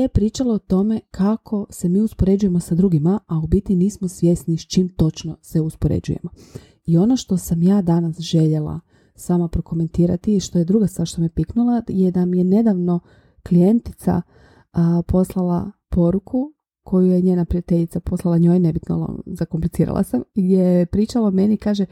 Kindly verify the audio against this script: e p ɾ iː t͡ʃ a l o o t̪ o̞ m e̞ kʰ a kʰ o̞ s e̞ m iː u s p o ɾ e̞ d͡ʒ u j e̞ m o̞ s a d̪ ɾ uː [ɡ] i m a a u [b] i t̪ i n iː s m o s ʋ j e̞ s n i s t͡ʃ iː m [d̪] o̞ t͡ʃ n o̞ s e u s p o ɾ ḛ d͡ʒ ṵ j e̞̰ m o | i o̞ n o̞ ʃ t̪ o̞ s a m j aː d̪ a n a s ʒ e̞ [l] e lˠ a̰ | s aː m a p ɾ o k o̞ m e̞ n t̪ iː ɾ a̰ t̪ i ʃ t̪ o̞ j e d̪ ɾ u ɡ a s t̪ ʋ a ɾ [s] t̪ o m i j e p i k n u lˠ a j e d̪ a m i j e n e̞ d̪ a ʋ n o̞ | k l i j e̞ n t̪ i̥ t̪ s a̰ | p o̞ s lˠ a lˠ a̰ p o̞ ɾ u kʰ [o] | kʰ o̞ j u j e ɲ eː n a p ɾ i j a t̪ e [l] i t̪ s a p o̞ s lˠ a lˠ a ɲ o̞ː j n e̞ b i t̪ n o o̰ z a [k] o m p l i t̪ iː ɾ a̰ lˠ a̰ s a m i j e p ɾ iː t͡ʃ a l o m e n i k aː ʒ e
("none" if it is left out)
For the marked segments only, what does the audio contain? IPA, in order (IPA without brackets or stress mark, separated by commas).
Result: ɡ, b, t̪, ʎ, ʃ, u, ʎ, k